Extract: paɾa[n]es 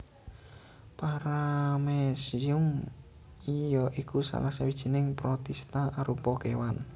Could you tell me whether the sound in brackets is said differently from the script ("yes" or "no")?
yes